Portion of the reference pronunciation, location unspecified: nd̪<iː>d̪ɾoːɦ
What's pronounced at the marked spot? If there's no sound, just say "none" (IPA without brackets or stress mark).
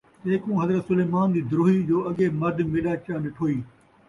iː